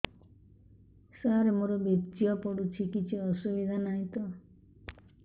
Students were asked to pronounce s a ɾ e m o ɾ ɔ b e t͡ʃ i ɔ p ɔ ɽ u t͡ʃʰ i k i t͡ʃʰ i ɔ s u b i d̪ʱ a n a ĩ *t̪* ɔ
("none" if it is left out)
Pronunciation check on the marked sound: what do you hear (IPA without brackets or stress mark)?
t̪